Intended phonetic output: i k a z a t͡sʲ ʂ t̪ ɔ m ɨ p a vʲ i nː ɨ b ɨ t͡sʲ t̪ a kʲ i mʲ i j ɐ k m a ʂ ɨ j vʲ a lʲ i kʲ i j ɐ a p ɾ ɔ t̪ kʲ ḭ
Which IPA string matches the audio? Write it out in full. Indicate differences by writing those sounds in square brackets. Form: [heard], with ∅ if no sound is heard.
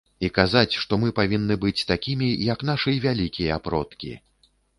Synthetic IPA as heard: i k a z a t͡sʲ ʂ t̪ ɔ m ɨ p a vʲ i nː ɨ b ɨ t͡sʲ t̪ a kʲ i mʲ i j ɐ k [n] a ʂ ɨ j vʲ a lʲ i kʲ i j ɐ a p ɾ ɔ t̪ kʲ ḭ